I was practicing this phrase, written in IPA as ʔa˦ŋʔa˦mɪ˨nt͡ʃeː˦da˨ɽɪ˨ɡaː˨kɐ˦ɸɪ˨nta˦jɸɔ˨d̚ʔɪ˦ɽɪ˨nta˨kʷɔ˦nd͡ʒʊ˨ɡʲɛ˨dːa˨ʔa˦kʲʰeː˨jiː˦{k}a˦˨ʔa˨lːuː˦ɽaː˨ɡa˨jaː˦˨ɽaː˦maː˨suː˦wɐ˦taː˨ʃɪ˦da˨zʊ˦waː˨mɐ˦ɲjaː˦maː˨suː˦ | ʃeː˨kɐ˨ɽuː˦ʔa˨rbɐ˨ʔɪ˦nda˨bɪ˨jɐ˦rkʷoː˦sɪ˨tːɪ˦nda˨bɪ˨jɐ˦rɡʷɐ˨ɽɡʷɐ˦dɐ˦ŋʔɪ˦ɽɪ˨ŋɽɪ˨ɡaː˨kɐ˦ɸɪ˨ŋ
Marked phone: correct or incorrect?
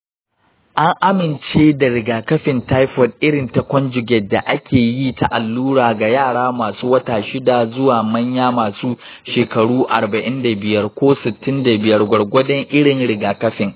incorrect